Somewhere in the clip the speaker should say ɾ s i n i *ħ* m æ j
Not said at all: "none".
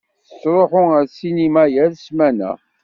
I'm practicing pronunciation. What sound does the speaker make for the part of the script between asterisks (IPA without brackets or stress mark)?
none